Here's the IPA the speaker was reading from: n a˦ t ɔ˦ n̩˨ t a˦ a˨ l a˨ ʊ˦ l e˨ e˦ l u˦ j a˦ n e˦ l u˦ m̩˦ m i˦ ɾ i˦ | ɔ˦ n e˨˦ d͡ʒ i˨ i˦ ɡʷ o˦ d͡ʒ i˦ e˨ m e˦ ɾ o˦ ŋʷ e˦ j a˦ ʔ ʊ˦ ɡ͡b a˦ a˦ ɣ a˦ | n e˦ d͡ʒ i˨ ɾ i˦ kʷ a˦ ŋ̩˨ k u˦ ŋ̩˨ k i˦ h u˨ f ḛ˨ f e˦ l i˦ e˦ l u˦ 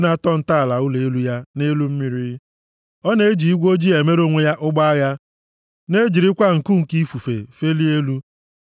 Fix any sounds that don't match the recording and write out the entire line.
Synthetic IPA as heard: n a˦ t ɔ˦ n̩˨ t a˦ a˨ l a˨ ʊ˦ l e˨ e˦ l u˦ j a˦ n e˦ l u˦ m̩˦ m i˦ ɾ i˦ | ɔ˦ n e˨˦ d͡ʒ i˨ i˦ ɡʷ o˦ d͡ʒ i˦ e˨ m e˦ ɾ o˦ ŋʷ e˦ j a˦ ʔ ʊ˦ ɡ͡b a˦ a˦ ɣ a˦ | n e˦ d͡ʒ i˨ ɾ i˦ kʷ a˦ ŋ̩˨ k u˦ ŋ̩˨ k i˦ f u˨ f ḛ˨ f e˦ l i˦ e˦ l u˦

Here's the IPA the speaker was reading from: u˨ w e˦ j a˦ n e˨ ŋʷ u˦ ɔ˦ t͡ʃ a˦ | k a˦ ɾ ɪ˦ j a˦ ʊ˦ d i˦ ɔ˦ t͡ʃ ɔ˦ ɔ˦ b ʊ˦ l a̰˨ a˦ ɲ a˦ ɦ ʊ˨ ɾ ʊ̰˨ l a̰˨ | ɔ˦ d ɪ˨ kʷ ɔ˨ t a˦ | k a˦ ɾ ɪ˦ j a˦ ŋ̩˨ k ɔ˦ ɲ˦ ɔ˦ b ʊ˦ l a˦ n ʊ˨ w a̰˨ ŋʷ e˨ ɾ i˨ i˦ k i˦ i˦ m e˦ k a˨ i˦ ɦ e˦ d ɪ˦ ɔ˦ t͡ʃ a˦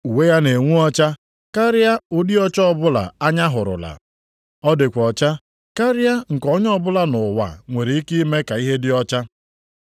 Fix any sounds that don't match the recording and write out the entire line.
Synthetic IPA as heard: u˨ w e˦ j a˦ n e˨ ŋʷ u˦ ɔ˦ t͡ʃ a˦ | k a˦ ɾ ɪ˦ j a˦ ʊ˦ d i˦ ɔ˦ t͡ʃ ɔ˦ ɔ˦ b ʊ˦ l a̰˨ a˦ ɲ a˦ ɦ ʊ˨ ɾ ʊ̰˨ l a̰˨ | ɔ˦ d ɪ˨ kʷ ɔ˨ t͡ʃ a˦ | k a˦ ɾ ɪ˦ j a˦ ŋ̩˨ k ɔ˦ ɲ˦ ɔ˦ b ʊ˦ l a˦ n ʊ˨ w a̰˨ ŋʷ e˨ ɾ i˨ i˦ k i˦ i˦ m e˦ k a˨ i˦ ɦ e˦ d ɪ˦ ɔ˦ t͡ʃ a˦

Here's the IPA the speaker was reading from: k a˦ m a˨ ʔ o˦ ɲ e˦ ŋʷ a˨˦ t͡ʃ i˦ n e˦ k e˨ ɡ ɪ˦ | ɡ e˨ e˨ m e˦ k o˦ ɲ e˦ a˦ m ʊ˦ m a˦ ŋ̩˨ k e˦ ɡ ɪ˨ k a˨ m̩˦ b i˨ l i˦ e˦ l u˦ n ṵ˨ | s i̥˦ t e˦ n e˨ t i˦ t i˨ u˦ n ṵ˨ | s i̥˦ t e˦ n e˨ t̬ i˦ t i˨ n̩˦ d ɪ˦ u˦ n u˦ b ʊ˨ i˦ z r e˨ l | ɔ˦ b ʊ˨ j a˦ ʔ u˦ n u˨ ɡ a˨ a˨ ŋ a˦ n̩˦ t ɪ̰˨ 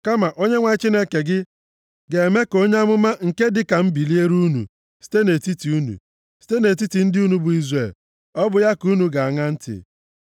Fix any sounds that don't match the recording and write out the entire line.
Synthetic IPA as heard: k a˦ m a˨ ʔ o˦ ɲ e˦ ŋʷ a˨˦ t͡ʃ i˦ n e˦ k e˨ ɡ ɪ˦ | ɡ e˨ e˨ m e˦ k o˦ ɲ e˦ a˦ m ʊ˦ m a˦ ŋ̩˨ k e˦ d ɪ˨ k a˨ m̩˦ b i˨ l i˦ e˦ ɾ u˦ n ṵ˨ | s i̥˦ t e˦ n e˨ t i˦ t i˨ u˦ n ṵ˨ | s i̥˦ t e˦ n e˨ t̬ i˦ t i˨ n̩˦ d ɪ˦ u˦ n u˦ b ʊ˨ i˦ z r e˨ l | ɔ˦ b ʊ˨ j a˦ k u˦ n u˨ ɡ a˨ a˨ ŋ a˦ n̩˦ t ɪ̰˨

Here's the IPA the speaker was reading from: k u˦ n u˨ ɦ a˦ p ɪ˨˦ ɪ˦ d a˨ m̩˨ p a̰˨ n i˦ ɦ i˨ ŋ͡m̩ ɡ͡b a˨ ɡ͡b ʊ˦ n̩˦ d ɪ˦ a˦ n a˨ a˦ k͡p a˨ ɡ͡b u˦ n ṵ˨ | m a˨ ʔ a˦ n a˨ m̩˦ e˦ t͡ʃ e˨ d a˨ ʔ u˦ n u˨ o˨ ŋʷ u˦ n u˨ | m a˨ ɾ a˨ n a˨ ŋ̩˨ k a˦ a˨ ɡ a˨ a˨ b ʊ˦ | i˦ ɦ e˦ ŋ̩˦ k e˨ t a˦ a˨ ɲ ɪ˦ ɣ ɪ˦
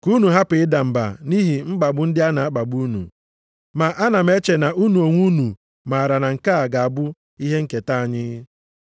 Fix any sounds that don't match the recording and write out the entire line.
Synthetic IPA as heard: k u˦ n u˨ ɦ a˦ p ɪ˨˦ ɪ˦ d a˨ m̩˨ b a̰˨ n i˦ ɦ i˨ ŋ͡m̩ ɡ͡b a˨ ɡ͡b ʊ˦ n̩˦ d ɪ˦ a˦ n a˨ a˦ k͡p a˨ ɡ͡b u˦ n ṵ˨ | m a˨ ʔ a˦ n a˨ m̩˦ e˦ t͡ʃ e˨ n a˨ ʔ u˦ n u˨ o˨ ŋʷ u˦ n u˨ | m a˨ ɾ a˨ n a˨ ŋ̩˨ k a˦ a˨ ɡ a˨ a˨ b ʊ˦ | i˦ ɦ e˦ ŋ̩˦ k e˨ t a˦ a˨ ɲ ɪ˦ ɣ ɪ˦

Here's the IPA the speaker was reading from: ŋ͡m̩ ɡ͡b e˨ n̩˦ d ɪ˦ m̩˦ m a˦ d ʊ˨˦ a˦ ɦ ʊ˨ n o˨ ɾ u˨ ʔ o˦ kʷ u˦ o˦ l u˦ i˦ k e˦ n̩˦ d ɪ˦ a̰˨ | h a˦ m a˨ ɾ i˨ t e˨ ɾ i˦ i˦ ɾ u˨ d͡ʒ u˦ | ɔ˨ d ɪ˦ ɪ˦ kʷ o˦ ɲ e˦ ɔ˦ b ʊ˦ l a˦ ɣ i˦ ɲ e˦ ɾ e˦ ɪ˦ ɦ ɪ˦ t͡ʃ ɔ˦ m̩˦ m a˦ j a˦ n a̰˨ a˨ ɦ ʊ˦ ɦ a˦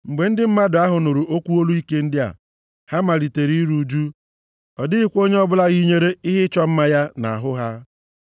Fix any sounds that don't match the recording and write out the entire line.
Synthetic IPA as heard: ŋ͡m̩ ɡ͡b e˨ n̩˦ d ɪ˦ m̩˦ m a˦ d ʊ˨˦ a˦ ɦ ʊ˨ n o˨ ɾ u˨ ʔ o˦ kʷ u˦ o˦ l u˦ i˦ k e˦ n̩˦ d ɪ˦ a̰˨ | h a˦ m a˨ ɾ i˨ t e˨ ɾ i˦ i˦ ɾ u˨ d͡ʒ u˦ | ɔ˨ d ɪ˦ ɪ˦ kʷ o˦ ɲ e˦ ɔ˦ b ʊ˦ l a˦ ɣ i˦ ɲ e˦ ɾ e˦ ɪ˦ ɦ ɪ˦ t͡ʃ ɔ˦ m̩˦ m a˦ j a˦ n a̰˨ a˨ ɦ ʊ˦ ɦ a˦

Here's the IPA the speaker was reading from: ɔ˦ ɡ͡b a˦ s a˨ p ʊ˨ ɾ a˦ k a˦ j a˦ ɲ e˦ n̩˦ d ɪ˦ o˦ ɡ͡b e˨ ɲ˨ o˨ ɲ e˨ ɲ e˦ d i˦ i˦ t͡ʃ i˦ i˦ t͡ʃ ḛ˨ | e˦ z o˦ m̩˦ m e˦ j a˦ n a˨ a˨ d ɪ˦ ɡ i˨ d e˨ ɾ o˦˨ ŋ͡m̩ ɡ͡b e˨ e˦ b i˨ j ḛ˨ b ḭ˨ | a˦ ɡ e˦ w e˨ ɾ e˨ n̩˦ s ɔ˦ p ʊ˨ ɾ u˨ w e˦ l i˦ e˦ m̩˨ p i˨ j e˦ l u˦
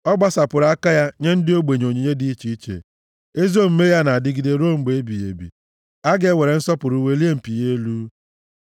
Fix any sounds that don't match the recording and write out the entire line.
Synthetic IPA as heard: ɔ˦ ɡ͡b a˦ s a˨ p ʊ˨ ɾ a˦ k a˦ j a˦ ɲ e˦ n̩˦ d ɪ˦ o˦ ɡ͡b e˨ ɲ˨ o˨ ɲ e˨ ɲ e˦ d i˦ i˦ t͡ʃ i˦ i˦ t͡ʃ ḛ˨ | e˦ z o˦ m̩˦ m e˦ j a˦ n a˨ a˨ d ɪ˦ ɡ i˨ d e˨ ɾ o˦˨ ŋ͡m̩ ɡ͡b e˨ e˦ b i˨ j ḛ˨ b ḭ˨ | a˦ ɡ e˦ w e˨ ɾ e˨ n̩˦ s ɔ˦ p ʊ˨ ɾ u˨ w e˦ l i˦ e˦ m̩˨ p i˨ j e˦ l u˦

